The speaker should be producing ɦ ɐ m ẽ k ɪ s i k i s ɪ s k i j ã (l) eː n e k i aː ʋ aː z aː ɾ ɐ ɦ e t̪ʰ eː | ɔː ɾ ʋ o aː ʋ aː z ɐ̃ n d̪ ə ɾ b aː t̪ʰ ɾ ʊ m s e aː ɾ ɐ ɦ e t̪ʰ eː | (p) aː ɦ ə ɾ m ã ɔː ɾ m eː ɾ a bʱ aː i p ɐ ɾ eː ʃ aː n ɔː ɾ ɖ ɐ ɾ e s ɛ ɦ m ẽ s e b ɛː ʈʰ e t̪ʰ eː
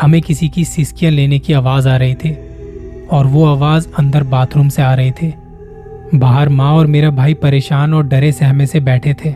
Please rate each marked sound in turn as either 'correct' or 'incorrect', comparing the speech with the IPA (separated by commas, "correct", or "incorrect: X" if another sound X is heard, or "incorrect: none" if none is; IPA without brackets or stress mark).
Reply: correct, incorrect: b